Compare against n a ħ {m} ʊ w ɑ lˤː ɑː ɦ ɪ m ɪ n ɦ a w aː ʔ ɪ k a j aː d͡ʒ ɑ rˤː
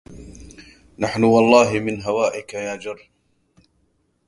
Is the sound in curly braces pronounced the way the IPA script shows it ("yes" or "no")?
no